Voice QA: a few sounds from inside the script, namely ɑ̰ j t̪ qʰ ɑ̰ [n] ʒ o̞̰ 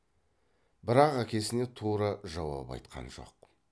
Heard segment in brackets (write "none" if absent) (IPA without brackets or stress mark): n